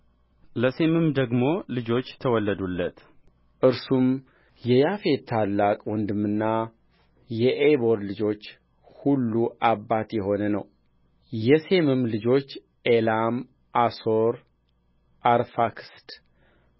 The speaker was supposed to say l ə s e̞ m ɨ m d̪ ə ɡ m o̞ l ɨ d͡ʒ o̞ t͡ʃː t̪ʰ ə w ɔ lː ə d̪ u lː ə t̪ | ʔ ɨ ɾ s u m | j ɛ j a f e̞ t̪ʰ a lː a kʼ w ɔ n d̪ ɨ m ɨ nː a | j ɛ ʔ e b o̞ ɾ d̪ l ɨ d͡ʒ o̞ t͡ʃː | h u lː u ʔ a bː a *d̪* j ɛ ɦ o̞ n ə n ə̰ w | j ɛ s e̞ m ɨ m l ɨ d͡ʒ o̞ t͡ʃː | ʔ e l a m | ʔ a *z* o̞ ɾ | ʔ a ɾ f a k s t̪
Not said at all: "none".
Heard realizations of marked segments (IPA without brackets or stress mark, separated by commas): t̪, s